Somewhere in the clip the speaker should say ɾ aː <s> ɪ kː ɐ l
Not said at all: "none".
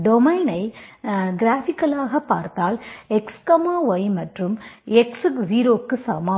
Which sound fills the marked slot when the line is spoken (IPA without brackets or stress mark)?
f